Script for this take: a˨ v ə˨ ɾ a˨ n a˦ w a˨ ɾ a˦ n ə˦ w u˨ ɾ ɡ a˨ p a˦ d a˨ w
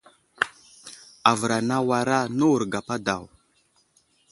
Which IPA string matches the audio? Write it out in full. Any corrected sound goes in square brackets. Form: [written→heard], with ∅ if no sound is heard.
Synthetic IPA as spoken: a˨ v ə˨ ɾ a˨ n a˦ w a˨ ɾ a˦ n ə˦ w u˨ ɾ ɡ a˨ p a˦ d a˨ w